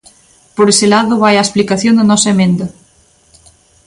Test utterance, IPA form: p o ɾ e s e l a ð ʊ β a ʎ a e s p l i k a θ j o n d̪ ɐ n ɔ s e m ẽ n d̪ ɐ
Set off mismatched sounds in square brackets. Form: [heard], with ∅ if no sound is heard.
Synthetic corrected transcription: p o ɾ e s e l a ð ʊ β a [j] a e s p l i k a θ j o n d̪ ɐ n ɔ s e m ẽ n d̪ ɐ